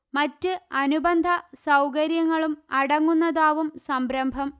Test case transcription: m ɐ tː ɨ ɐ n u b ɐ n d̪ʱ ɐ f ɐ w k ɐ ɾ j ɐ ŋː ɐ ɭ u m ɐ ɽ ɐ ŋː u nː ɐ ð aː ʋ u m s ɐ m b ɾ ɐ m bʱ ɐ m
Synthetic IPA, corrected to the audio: m ɐ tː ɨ ɐ n u b ɐ n d̪ʱ ɐ s ɐ w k ɐ ɾ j ɐ ŋː ɐ ɭ u m ɐ ɽ ɐ ŋː u nː ɐ ð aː ʋ u m s ɐ m b ɾ ɐ m bʱ ɐ m